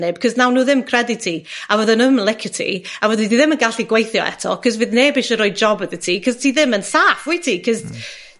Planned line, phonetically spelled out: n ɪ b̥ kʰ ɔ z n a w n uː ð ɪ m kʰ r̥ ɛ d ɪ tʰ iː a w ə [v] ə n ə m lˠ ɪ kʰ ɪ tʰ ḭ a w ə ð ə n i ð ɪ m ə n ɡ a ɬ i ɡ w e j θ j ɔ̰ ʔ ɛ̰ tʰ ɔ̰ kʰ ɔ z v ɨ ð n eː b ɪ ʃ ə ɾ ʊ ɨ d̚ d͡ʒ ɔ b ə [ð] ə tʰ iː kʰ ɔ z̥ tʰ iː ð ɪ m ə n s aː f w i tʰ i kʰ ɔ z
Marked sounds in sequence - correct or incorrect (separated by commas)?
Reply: incorrect, correct